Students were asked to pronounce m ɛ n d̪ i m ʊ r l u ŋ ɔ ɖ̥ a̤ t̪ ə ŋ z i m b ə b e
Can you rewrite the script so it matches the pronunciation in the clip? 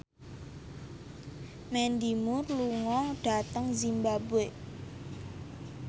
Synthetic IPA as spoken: m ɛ n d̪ i m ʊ r l u ŋ ɔ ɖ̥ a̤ t̪ ə ŋ z i m b a b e